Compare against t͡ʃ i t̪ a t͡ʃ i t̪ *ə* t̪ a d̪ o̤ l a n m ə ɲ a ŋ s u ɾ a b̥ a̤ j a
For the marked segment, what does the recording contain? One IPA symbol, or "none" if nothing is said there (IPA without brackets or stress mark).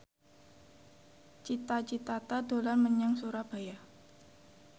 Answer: a